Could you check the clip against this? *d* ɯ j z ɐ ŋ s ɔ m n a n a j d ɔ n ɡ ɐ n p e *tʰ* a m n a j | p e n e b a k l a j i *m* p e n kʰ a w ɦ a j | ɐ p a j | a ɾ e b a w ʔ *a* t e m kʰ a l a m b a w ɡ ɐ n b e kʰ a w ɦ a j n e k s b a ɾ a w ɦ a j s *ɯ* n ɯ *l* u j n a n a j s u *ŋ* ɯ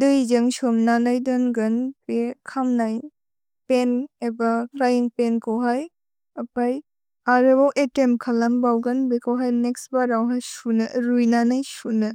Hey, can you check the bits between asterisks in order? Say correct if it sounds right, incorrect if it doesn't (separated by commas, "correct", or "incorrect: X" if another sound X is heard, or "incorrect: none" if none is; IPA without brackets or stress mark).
correct, incorrect: kʰ, incorrect: ŋ, incorrect: e, incorrect: u, incorrect: ɾ, incorrect: n